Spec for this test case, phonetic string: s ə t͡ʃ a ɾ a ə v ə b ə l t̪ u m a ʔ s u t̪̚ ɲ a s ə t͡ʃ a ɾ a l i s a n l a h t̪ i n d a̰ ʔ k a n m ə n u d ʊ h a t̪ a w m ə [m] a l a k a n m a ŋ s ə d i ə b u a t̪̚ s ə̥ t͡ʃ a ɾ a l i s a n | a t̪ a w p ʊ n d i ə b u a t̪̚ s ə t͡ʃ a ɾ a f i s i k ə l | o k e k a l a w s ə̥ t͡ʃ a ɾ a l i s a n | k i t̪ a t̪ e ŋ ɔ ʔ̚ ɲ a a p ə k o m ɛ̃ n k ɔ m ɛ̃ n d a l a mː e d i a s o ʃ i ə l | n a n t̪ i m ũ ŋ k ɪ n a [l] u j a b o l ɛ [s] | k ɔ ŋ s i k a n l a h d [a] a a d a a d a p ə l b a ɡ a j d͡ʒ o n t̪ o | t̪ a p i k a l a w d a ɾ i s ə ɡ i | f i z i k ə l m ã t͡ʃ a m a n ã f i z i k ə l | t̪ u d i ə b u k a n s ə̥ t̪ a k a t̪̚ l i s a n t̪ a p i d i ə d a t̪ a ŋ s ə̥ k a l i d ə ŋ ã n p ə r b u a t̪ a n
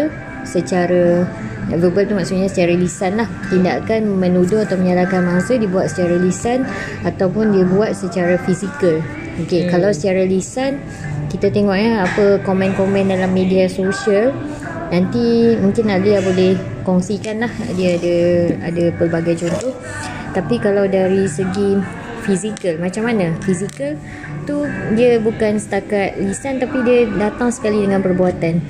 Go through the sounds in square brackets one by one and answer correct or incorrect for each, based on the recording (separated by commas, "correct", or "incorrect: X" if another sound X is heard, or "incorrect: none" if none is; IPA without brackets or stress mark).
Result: incorrect: ɲ, correct, incorrect: h, incorrect: i